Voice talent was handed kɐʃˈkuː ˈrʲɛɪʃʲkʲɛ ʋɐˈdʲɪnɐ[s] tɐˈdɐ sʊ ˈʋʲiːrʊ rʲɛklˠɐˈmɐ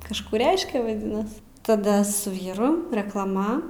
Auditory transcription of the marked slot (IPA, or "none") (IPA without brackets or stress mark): s